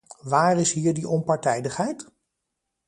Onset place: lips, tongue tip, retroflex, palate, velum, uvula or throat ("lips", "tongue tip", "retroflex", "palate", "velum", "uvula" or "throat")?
lips